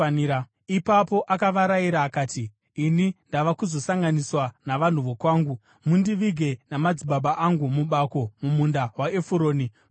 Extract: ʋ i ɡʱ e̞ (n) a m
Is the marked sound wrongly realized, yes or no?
no